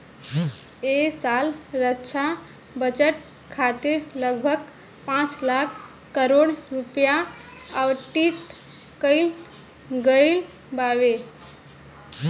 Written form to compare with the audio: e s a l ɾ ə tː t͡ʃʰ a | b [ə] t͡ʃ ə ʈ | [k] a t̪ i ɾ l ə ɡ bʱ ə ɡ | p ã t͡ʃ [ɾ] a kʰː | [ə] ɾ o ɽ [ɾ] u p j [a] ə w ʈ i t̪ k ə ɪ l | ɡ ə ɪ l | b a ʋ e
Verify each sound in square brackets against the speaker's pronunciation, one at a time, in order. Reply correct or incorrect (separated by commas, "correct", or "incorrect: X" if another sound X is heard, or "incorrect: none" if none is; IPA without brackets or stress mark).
correct, incorrect: kʰ, incorrect: l, correct, correct, correct